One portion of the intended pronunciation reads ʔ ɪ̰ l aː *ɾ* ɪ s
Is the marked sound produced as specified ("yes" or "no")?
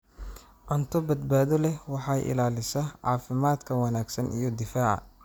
no